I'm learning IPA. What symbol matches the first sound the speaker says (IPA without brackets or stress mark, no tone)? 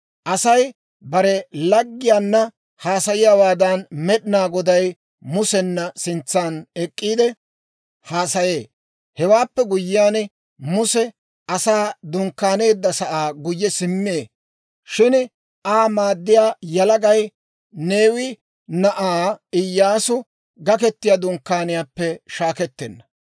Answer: ʔ